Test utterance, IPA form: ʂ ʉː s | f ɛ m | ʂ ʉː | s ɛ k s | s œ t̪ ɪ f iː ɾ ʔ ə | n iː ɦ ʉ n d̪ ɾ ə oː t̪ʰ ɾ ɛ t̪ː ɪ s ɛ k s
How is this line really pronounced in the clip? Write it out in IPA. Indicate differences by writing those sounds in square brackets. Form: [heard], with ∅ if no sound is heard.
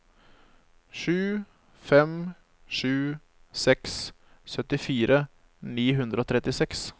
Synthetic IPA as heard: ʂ ʉː [∅] | f ɛ m | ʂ ʉː | s ɛ k s | s œ t̪ ɪ f iː ɾ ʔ ə | n iː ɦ ʉ n d̪ ɾ ə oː t̪ʰ ɾ ɛ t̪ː ɪ s ɛ k s

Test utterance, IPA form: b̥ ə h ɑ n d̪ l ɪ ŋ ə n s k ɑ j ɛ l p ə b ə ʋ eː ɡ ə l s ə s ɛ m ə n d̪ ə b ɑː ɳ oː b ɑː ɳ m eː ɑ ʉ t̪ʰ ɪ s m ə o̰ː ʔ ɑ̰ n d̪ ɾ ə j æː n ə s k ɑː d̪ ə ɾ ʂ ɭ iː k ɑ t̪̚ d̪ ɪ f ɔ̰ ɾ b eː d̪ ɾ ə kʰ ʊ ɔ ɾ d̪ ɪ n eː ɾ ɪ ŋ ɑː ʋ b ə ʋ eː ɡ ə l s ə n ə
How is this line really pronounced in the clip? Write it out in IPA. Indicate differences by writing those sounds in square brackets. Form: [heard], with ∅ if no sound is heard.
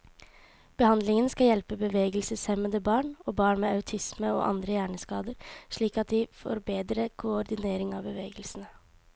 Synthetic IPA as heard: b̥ ə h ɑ n d̪ l ɪ ŋ ə n s k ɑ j ɛ l p ə b ə ʋ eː ɡ ə l s ə s ɛ m ə n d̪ ə b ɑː ɳ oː b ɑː ɳ m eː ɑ ʉ t̪ʰ ɪ s m ə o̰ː ʔ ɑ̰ n d̪ ɾ ə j æː [ɳ] ə s k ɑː d̪ ə ɾ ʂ ɭ iː k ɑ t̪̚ d̪ ɪ f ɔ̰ ɾ b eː d̪ ɾ ə kʰ ʊ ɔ ɾ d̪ ɪ n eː ɾ ɪ ŋ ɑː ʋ b ə ʋ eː ɡ ə l s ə n ə

